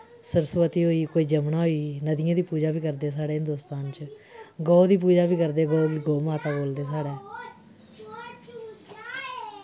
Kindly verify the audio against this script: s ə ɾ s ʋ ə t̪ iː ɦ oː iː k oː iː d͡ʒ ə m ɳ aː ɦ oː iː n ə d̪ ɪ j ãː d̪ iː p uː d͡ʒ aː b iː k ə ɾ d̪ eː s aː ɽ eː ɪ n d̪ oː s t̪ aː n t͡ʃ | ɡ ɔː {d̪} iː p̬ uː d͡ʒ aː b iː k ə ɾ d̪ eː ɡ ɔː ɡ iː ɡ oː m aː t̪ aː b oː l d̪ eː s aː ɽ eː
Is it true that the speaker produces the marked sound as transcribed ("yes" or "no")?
yes